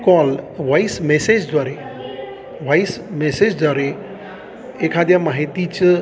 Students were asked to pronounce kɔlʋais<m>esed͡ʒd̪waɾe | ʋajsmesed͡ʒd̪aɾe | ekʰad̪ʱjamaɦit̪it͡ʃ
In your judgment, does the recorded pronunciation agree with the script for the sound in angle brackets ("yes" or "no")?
yes